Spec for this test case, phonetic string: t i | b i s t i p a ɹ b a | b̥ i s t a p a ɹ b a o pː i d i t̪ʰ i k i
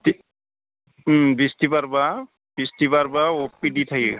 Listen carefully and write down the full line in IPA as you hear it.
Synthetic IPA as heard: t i | b i s t i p a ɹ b a | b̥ i s t i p a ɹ b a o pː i d i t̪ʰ a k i

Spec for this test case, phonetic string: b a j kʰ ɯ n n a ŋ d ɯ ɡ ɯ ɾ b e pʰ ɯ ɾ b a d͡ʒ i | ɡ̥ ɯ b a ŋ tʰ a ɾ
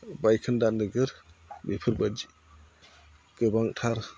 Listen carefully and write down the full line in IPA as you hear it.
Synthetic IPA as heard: b a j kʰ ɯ n d a n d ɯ ɡ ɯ ɾ b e pʰ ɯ ɾ b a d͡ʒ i | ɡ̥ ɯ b a ŋ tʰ a ɾ

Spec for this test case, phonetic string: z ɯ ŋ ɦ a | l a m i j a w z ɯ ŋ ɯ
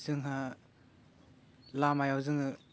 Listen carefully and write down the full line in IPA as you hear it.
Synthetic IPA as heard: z ɯ ŋ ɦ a | l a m a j a w z ɯ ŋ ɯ

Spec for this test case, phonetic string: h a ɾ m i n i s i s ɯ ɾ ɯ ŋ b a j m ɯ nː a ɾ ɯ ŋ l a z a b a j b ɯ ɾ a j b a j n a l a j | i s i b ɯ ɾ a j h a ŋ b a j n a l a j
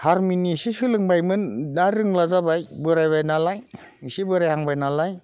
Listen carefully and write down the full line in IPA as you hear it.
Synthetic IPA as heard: h a ɾ m i n i s i s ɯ l ɯ ŋ b a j m ɯ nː a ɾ ɯ ŋ l a z a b a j b ɯ ɾ a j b a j n a l a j | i s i b ɯ ɾ a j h a ŋ b a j n a l a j

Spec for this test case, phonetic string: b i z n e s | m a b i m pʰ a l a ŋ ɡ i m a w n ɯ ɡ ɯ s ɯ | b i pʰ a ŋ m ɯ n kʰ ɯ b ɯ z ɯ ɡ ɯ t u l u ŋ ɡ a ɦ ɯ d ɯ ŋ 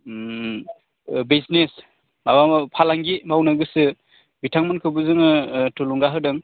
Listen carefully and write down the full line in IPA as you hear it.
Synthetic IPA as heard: b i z n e s | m a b a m pʰ a l a ŋ ɡ i m a w n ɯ ɡ ɯ s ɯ | b i tʰ a ŋ m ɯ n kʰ ɯ b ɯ z ɯ ŋ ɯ t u l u ŋ ɡ a ɦ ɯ d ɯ ŋ

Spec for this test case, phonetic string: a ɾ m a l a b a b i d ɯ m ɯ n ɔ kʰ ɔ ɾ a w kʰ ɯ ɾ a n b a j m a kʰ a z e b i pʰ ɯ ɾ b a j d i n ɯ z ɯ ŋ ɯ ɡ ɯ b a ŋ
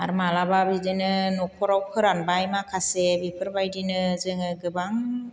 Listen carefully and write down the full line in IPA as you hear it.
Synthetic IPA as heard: a ɾ m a l a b a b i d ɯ n ɯ n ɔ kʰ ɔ ɾ a w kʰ ɯ ɾ a n b a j m a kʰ a s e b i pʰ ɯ ɾ b a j d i n ɯ z ɯ ŋ ɯ ɡ ɯ b a ŋ

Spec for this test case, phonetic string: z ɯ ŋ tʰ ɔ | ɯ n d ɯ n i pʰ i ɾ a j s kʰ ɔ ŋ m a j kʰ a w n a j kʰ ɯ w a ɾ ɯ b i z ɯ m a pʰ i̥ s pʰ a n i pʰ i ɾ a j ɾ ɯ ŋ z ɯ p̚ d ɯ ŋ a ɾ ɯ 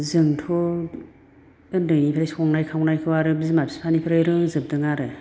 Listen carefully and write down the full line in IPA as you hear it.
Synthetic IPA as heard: z ɯ ŋ tʰ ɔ | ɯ n d ɯ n i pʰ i ɾ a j s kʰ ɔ ŋ n a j kʰ a w n a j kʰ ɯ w a ɾ ɯ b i z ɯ m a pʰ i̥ s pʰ a n i pʰ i ɾ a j ɾ ɯ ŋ z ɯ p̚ d ɯ ŋ a ɾ ɯ

